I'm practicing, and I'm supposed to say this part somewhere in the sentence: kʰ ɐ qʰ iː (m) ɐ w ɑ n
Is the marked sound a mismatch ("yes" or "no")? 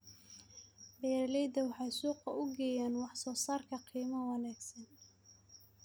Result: no